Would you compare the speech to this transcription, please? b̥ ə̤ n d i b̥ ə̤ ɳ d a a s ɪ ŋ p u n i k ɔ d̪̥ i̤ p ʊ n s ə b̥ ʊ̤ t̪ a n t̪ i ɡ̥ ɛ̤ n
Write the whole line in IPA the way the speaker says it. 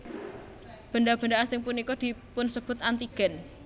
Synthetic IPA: b̥ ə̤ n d a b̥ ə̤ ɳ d a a s ɪ ŋ p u n i k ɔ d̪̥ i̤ p ʊ n s ə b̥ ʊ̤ t̪ a n t̪ i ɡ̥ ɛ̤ n